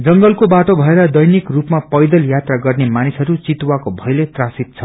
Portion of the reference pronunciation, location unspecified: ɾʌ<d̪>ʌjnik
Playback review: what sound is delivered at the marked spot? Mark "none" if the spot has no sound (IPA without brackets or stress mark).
d̪